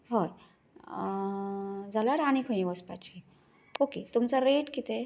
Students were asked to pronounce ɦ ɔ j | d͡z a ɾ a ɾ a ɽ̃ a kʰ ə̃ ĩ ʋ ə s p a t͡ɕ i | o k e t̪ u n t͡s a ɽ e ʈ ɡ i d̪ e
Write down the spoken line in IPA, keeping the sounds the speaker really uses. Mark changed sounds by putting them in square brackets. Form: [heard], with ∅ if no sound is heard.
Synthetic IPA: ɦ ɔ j | d͡z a [l] a ɾ a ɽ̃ [i] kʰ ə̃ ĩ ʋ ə s p a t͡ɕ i | o k e t̪ u [m] t͡s a [ɾ] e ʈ [k] i [t̪] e